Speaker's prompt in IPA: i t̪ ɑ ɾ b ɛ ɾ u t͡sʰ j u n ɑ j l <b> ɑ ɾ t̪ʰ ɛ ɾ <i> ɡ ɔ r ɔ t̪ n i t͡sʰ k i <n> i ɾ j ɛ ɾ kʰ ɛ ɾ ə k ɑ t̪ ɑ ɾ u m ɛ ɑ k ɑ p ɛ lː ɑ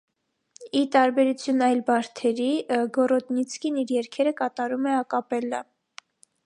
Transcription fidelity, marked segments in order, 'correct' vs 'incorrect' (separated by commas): correct, correct, correct